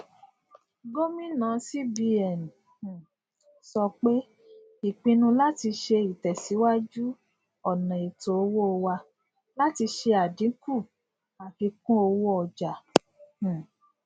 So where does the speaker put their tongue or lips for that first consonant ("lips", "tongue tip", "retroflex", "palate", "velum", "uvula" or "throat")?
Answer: velum